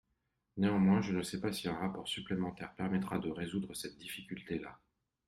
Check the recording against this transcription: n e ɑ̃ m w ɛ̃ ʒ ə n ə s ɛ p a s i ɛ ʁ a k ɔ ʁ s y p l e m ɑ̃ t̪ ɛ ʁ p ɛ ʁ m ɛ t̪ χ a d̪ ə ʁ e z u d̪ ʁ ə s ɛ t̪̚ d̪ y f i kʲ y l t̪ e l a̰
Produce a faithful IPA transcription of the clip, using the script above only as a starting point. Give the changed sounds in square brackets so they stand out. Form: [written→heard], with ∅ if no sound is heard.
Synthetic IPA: n e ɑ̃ m w ɛ̃ ʒ ə n ə s ɛ p a s i [ɛ→ɛ̃] ʁ a [k→p] ɔ ʁ s y p l e m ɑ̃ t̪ ɛ ʁ p ɛ ʁ m ɛ t̪ χ a d̪ ə ʁ e z u d̪ ʁ ə s ɛ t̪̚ d̪ [y→i] f i kʲ y l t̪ e l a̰